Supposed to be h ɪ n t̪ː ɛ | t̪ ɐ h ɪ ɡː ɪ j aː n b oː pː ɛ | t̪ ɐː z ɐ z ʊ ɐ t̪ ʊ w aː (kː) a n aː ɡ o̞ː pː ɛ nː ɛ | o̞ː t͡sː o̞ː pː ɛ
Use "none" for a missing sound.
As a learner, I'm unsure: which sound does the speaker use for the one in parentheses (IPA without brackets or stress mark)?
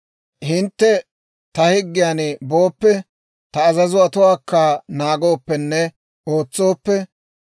kː